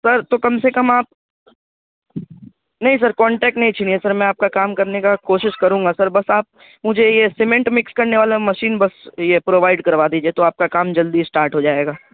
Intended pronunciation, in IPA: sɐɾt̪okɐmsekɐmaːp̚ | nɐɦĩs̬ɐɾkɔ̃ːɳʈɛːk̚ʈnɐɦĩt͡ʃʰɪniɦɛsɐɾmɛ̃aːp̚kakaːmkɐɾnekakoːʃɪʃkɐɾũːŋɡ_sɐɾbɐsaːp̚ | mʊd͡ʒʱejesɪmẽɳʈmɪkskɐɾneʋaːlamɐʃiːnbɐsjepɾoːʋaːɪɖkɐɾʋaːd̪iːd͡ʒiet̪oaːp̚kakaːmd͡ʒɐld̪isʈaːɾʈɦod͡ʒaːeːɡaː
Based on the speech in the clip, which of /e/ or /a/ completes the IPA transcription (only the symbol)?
a